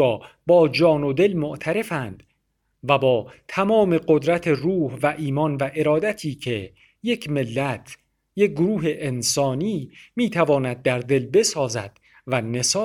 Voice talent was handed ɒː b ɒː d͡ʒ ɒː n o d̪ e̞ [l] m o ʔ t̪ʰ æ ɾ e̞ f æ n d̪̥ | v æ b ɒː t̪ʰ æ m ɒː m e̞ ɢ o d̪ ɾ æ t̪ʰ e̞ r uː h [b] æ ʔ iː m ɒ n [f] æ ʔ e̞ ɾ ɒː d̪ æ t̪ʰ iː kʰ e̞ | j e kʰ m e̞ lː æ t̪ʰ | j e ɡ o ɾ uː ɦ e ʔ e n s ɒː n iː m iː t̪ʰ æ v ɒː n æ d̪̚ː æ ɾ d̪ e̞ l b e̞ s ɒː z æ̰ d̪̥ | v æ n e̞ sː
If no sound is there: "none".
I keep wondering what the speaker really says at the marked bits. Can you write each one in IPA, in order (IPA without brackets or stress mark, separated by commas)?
l, v, v